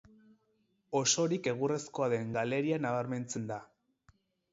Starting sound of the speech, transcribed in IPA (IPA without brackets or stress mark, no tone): o̞